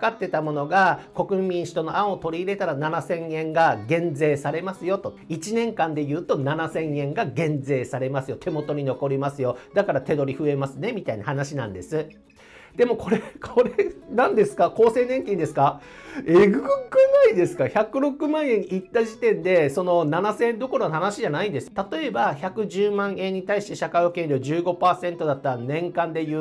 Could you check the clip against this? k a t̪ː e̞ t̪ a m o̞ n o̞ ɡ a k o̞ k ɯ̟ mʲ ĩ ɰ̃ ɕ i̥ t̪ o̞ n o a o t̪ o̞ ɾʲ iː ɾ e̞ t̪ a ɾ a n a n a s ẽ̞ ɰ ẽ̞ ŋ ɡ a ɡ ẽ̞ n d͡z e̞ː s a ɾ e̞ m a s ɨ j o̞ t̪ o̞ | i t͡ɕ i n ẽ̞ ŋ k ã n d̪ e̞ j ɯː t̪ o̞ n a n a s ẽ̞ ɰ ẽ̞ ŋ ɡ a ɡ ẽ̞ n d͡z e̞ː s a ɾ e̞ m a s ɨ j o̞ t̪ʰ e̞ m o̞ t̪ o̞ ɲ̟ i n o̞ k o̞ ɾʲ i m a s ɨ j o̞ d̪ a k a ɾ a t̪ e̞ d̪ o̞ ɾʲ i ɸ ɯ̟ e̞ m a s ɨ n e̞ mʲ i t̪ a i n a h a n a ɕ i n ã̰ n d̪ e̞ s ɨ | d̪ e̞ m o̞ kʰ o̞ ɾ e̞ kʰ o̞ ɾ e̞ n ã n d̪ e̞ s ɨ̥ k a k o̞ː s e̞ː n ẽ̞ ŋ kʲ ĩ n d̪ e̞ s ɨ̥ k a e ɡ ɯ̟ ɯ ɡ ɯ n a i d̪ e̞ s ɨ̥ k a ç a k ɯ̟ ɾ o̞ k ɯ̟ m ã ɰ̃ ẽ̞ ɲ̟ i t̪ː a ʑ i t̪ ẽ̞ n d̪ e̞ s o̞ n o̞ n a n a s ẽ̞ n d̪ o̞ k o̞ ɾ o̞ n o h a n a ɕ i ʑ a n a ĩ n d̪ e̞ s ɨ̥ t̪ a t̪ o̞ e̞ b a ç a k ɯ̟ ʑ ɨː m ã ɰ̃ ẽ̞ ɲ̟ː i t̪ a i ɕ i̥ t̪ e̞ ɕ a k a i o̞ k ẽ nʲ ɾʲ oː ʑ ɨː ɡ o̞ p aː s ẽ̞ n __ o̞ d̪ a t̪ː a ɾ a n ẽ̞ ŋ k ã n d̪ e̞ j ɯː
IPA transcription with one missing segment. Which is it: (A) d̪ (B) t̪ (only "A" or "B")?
B